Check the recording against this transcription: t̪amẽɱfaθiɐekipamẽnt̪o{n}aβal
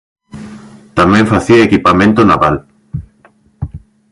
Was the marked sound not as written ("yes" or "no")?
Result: no